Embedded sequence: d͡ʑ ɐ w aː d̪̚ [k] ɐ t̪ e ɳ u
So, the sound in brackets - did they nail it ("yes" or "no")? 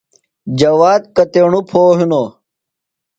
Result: yes